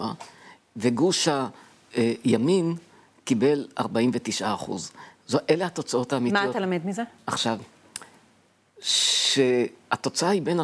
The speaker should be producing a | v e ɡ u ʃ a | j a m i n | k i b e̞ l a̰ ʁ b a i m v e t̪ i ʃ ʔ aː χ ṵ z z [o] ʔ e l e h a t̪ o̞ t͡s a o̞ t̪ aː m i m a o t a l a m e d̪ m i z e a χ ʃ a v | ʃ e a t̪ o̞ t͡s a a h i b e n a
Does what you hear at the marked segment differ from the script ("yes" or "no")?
no